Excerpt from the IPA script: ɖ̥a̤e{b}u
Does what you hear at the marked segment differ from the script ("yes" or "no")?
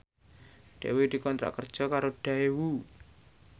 yes